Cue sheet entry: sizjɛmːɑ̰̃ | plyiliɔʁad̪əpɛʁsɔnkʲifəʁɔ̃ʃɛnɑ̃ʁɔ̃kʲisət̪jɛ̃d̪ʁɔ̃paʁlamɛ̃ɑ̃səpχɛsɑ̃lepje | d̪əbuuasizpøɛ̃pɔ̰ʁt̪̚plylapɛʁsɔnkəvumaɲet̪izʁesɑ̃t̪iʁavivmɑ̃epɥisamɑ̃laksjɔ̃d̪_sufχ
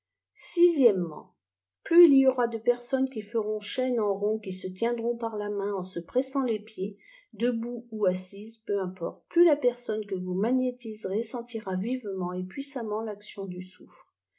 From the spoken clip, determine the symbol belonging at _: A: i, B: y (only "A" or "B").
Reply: B